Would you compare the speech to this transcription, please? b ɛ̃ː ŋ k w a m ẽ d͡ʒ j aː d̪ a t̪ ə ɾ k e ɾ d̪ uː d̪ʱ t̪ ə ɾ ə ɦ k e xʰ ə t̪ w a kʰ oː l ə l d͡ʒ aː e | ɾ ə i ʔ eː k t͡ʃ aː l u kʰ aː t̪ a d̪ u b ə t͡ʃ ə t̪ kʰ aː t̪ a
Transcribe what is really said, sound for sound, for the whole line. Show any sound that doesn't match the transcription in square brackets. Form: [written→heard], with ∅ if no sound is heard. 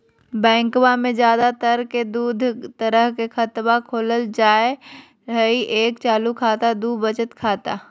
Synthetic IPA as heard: b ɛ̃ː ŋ k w a m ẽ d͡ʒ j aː d̪ a t̪ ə ɾ k e [ɾ→∅] d̪ uː d̪ʱ t̪ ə ɾ ə ɦ k e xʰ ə t̪ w a kʰ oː l ə l d͡ʒ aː e | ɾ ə i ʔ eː k t͡ʃ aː l u kʰ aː t̪ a d̪ u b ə t͡ʃ ə t̪ kʰ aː t̪ a

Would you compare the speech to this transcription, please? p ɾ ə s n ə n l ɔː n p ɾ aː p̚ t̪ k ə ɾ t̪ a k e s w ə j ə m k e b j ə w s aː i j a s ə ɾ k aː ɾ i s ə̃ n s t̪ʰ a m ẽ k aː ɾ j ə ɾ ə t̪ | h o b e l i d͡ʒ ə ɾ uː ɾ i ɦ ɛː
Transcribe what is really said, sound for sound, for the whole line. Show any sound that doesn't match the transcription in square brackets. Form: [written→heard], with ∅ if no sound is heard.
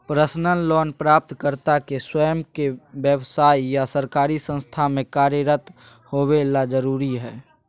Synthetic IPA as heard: p ɾ ə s n ə n l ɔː n p ɾ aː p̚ t̪ k ə ɾ t̪ a k e s w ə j ə m k e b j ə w s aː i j a s ə ɾ k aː ɾ i s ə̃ n s t̪ʰ a m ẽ k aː ɾ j ə ɾ ə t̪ | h o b e l [i→a] d͡ʒ ə ɾ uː ɾ i ɦ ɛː

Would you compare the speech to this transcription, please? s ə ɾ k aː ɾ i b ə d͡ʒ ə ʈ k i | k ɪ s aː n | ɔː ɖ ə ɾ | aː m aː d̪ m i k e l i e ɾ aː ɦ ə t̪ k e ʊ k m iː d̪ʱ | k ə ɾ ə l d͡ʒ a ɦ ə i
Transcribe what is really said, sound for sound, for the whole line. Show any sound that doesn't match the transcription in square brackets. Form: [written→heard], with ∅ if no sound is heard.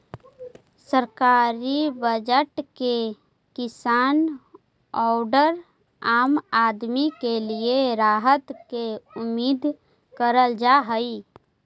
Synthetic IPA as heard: s ə ɾ k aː ɾ i b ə d͡ʒ ə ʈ k [i→e] | k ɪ s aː n | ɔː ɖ ə ɾ | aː m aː d̪ m i k e l i e ɾ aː ɦ ə t̪ k e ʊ [k→∅] m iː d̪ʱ | k ə ɾ ə l d͡ʒ a ɦ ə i

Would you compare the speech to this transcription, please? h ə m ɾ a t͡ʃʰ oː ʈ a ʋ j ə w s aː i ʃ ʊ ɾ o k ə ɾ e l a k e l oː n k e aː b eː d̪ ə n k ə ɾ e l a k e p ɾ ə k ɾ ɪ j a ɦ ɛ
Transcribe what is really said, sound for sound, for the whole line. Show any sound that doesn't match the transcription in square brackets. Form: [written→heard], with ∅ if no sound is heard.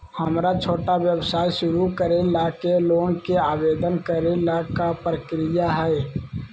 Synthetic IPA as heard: h ə m ɾ a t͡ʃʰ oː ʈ a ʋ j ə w s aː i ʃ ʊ ɾ [o→u] k ə ɾ e l a k e l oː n k e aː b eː d̪ ə n k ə ɾ e l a k [e→a] p ɾ ə k ɾ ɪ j a ɦ ɛ

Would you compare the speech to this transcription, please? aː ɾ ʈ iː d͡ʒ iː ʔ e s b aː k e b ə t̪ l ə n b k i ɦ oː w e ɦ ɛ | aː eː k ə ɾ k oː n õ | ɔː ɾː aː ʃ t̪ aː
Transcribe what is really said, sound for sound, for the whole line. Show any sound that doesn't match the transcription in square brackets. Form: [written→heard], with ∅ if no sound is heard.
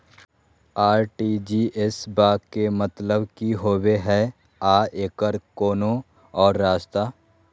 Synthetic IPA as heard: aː ɾ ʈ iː d͡ʒ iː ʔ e s b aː k e [b→m] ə t̪ l ə [n→∅] b k i ɦ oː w e ɦ ɛ | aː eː k ə ɾ k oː n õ | ɔː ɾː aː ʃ t̪ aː

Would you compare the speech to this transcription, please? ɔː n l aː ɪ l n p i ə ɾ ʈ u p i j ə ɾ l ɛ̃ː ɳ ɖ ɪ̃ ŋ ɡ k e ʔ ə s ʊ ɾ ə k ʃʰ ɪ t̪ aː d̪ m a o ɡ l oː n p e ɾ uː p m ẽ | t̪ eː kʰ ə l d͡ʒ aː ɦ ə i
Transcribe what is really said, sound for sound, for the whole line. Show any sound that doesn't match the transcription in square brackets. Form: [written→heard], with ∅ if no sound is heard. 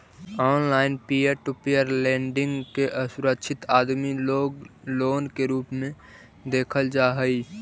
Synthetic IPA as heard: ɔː n l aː ɪ [l→∅] n p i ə ɾ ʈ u p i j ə ɾ l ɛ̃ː ɳ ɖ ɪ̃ ŋ ɡ k e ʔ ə s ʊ ɾ ə k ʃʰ ɪ t̪ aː d̪ m [a→i] o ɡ l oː n [p→k] e ɾ uː p m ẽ | [t̪→d̪] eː kʰ ə l d͡ʒ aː ɦ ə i

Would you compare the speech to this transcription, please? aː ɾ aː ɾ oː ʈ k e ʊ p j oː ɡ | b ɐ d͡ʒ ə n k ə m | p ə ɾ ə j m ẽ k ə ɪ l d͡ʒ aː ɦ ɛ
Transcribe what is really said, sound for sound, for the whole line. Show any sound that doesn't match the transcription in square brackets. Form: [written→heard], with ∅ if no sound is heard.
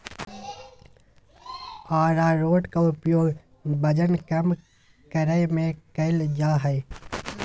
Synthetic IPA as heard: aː ɾ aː ɾ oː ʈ k [e→a] ʊ p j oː ɡ | b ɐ d͡ʒ ə n k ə m | [p→k] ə ɾ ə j m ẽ k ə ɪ l d͡ʒ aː ɦ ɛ

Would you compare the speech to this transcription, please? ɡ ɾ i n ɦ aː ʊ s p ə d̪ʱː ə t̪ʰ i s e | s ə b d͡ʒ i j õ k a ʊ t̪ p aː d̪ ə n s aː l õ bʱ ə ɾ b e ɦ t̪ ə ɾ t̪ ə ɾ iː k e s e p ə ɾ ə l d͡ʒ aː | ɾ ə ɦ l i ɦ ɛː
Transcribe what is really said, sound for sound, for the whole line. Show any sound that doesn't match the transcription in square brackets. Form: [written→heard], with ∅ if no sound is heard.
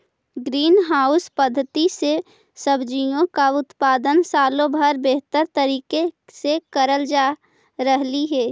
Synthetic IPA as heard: ɡ ɾ [i→iː] n ɦ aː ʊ s p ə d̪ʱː ə [t̪ʰ→t̪] i s e | s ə b d͡ʒ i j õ k a ʊ t̪ p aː d̪ ə n s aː l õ bʱ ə ɾ b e ɦ t̪ ə ɾ t̪ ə ɾ iː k e s e [p→k] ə ɾ ə l d͡ʒ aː | ɾ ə ɦ l i ɦ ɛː

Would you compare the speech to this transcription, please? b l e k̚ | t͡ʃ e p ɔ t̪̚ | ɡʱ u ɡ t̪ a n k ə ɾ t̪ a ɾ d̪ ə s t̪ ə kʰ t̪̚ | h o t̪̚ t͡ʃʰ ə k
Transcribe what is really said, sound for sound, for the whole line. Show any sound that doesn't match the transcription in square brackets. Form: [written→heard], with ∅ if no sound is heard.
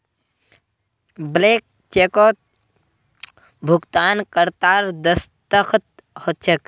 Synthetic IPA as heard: b l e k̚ | t͡ʃ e [p→k] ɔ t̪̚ | [ɡʱ→bʱ] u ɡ t̪ a n k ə ɾ t̪ a ɾ d̪ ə s t̪ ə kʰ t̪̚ | h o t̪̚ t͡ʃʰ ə k

